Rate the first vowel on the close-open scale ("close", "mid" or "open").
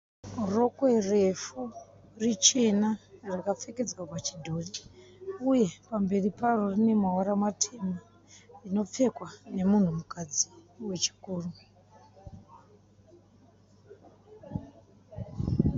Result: mid